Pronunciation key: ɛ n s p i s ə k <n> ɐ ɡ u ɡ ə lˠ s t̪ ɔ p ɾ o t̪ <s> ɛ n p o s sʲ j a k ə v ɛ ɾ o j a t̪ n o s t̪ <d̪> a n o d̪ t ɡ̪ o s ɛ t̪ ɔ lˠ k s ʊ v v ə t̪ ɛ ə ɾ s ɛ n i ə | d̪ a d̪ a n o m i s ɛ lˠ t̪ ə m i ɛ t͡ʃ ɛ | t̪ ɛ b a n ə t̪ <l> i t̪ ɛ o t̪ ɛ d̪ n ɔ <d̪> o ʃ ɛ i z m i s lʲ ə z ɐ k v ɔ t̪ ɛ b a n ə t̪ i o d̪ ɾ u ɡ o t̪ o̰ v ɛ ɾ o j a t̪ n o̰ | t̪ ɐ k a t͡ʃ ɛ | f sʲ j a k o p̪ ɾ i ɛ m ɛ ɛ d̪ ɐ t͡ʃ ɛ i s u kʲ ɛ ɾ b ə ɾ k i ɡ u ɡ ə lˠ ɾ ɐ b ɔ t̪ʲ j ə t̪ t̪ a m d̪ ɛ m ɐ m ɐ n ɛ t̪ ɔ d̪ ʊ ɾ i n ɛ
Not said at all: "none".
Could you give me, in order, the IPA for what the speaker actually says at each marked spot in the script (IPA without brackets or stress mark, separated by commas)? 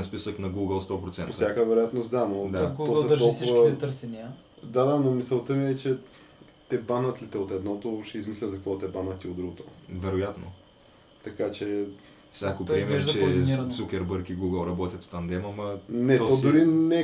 n, s, d̪, l, t̪